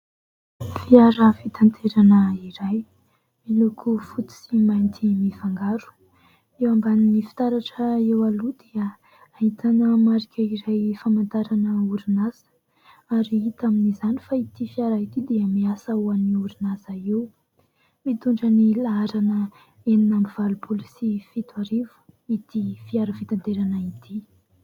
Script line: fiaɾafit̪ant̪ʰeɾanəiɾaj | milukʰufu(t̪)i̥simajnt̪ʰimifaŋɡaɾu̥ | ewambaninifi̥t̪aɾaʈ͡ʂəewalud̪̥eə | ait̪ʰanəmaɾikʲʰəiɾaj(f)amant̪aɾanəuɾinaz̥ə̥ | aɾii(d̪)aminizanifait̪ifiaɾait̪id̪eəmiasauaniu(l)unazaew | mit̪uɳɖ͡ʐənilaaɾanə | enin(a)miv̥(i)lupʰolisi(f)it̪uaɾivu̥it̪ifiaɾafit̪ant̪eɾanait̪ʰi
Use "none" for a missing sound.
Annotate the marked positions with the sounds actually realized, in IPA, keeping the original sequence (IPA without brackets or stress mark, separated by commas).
t̪, f, t̪, ɾ, a, a, f